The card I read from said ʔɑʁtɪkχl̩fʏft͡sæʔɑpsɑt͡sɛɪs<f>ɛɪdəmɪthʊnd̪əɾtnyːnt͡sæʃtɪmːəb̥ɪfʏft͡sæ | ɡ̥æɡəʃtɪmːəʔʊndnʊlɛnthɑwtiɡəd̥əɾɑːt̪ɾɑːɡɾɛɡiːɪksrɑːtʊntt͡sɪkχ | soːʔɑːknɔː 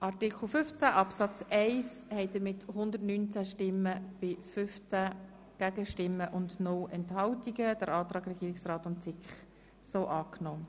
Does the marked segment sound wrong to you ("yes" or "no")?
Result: yes